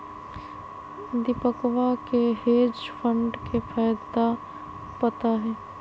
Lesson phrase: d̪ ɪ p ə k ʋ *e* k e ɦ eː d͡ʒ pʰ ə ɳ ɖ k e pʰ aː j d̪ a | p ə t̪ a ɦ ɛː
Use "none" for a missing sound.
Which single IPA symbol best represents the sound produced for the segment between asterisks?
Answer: a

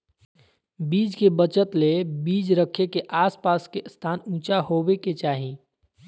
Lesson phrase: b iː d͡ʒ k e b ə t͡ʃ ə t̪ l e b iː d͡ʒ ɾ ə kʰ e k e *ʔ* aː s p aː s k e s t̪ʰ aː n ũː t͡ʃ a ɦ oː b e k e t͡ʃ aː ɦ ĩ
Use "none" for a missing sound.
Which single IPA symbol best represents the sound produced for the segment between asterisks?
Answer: ʔ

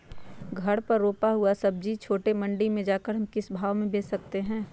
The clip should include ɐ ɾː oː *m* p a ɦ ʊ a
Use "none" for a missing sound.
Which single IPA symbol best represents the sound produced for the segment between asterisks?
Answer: none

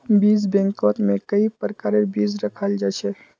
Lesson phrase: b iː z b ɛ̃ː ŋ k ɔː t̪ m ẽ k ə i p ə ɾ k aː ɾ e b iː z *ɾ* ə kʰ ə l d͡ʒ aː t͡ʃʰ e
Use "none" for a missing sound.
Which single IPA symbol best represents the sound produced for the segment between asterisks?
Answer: ɾ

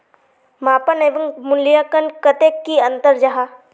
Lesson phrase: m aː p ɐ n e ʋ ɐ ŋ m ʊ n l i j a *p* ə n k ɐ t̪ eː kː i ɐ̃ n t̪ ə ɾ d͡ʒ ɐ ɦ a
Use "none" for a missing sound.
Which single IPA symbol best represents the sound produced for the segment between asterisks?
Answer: k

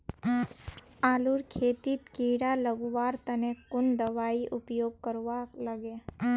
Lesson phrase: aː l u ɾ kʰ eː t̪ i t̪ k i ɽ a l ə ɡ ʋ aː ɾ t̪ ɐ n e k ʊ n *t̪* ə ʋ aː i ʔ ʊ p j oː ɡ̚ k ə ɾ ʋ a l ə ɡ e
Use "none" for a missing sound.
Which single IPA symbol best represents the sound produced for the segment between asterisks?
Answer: d̪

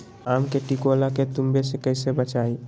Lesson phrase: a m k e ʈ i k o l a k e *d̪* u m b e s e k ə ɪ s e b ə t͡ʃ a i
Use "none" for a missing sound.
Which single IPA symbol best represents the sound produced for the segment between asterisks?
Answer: t̪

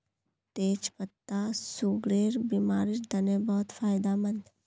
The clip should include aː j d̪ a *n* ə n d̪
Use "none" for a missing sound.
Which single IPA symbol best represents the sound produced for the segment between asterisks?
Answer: m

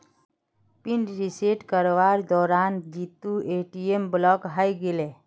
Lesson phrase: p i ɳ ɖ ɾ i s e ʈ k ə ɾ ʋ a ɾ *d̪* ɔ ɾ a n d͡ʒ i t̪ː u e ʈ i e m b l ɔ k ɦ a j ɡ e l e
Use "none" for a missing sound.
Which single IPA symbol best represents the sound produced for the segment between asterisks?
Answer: d̪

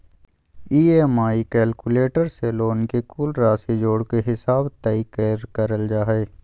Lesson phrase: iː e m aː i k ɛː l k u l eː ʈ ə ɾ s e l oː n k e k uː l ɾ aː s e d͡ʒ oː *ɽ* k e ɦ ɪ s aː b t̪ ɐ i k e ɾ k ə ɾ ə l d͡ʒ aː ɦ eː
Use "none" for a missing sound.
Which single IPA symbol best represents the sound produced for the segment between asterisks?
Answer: ɽ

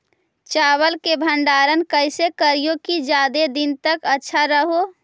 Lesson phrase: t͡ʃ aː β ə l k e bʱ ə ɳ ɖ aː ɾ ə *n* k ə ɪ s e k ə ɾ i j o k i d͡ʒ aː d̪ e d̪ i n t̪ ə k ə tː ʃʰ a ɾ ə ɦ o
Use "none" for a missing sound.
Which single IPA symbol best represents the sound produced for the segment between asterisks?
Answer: n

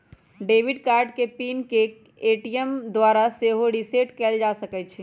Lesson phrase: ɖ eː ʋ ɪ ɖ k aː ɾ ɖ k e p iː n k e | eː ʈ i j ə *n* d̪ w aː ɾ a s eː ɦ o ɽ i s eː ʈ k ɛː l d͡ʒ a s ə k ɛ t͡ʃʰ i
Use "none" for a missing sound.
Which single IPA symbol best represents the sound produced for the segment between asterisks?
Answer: m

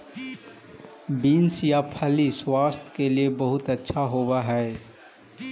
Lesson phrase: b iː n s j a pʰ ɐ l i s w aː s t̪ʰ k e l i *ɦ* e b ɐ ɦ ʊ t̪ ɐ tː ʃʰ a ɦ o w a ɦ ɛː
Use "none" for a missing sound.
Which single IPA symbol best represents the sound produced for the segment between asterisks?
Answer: none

